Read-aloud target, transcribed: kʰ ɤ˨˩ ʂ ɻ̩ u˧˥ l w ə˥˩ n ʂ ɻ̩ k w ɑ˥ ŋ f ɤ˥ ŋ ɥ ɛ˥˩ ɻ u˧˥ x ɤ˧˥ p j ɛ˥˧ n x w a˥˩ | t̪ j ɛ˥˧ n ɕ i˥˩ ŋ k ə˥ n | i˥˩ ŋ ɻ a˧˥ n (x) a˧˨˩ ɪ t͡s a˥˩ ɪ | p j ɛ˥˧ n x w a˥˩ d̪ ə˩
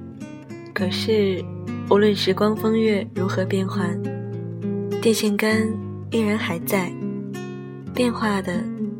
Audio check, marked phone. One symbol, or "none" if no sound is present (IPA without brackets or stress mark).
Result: x